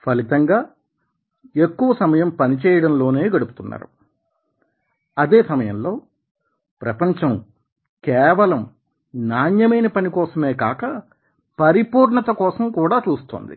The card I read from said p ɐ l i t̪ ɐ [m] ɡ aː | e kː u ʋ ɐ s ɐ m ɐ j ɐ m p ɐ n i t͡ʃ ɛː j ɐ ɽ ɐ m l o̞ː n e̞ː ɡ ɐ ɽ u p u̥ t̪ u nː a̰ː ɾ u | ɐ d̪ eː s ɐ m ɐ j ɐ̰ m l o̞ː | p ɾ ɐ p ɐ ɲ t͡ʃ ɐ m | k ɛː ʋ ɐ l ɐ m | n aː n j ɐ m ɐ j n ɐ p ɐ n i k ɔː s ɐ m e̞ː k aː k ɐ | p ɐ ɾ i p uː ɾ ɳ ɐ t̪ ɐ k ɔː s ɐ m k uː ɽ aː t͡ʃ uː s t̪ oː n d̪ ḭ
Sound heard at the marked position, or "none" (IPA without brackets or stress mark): ŋ